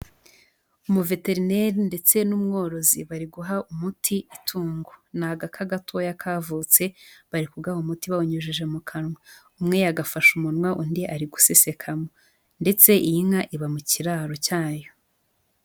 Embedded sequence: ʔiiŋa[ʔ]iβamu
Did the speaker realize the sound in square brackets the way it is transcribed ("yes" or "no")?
yes